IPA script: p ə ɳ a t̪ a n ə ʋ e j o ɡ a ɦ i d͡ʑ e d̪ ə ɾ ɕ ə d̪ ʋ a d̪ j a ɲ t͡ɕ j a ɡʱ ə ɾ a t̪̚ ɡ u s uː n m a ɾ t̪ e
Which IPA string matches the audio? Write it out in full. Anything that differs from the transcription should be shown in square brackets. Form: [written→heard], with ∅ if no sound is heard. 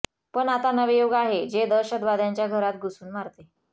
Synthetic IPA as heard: p ə ɳ a t̪ a n ə ʋ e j o ɡ a ɦ [i→e] d͡ʑ e d̪ ə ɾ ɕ ə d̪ ʋ a d̪ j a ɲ t͡ɕ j a ɡʱ ə ɾ a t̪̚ ɡ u s uː n m a ɾ t̪ e

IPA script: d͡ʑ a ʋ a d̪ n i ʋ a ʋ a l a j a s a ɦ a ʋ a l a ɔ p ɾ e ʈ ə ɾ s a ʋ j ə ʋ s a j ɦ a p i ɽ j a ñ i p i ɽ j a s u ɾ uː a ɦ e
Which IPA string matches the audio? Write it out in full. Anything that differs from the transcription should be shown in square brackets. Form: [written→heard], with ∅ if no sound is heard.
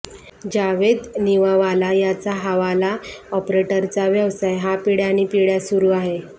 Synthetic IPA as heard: d͡ʑ a ʋ [a→e] d̪ n i ʋ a ʋ a l a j a [s→t͡s] a ɦ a ʋ a l a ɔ p ɾ e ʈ ə ɾ [s→t͡s] a ʋ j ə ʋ s a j ɦ a p i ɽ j a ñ i p i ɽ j a s u ɾ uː a ɦ e

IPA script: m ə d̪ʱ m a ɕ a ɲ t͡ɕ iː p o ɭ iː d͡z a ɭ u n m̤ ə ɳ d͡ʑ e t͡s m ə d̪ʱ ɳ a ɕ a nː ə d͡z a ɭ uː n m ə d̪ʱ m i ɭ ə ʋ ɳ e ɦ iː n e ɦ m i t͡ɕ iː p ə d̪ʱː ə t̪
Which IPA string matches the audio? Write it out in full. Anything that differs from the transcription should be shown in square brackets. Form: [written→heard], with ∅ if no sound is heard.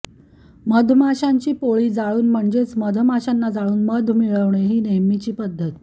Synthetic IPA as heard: m ə d̪ʱ m a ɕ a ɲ t͡ɕ iː p o ɭ iː d͡z a ɭ [u→uː] n m̤ ə ɳ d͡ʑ e t͡s m ə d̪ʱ [ɳ→m] a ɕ a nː [ə→a] d͡z a ɭ uː n m ə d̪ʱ m i ɭ ə ʋ ɳ e ɦ iː n e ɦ m i t͡ɕ iː p ə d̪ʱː ə t̪

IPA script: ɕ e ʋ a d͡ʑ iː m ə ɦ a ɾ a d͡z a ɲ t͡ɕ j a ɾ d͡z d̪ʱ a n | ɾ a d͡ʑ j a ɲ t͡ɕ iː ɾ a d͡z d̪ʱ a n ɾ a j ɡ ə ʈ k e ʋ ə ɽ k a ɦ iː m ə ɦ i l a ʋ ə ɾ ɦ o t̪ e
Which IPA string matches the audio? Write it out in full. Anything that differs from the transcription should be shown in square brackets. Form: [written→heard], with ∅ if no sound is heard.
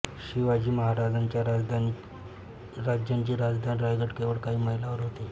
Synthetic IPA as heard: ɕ [e→i] ʋ a d͡ʑ iː m ə ɦ a ɾ a d͡z a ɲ t͡ɕ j a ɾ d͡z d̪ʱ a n | ɾ a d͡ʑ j a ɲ t͡ɕ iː ɾ a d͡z d̪ʱ a n ɾ a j ɡ ə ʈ k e ʋ ə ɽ k a ɦ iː m ə ɦ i l a ʋ ə ɾ ɦ o t̪ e

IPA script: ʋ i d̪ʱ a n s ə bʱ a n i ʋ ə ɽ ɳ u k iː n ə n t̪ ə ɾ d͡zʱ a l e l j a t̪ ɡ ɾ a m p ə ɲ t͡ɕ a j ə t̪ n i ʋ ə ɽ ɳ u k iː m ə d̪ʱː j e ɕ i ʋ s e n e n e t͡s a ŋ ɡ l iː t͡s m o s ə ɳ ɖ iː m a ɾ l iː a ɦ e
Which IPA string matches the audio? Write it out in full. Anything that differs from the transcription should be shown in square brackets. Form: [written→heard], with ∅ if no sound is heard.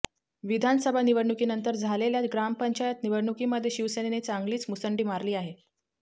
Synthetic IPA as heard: ʋ i d̪ʱ a n s ə bʱ a n i ʋ ə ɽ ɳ u k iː n ə n t̪ ə ɾ d͡zʱ a l e l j a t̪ ɡ ɾ a m p ə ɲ t͡ɕ a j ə t̪ n i ʋ ə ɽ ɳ u k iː m ə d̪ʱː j e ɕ i ʋ s e n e n e t͡s a ŋ ɡ l iː t͡s m [o→u] s ə ɳ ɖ iː m a ɾ l iː a ɦ e

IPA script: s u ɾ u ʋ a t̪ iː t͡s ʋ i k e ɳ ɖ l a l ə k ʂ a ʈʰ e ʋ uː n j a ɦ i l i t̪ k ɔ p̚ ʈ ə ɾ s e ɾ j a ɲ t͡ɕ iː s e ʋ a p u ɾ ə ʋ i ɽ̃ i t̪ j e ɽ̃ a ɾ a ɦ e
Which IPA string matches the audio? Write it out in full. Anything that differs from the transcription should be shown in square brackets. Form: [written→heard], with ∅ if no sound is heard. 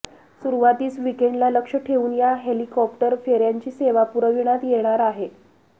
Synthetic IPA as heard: s u ɾ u ʋ a t̪ iː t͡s ʋ i k e ɳ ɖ l a l ə k ʂ [a→ə] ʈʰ e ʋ uː n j a ɦ [i→e] l i [t̪→∅] k ɔ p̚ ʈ ə ɾ [s→f] e ɾ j a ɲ t͡ɕ iː s e ʋ a p u ɾ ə ʋ i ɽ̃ [i→a] t̪ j e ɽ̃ a ɾ a ɦ e

